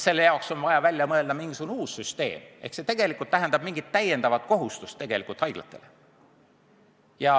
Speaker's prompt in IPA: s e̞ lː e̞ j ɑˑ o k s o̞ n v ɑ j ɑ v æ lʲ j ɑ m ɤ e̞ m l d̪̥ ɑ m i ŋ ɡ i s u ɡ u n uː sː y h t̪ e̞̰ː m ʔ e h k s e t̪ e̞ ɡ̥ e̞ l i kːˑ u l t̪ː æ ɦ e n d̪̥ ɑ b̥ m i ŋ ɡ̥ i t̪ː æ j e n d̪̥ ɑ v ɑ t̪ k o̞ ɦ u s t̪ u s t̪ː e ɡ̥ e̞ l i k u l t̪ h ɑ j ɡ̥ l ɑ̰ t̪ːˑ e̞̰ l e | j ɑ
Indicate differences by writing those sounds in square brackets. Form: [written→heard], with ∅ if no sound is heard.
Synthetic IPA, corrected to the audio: s e̞ lː e̞ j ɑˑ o k s o̞ n v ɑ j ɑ v æ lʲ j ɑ m ɤ e̞ [m→∅] l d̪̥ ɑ m i ŋ ɡ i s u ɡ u n uː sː y [h→s] t̪ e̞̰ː m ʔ e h k s e t̪ e̞ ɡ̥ e̞ l i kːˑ u l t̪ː æ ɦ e n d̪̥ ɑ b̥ m i ŋ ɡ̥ i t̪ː æ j e n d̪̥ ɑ v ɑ t̪ k o̞ ɦ u s t̪ u s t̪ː e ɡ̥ e̞ l i k u l t̪ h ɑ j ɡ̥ l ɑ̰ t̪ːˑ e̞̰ l e | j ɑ